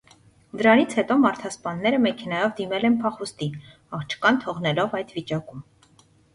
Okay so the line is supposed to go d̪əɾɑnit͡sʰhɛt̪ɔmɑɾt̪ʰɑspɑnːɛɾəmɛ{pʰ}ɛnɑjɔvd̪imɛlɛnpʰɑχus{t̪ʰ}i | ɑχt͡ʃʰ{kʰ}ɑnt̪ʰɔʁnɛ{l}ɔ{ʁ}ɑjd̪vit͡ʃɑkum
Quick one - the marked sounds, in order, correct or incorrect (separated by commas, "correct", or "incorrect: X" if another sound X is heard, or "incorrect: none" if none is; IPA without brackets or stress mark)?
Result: incorrect: kʰ, incorrect: t̪, incorrect: k, correct, incorrect: v